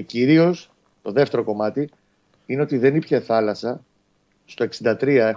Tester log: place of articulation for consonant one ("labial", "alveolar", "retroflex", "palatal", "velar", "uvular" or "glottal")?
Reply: palatal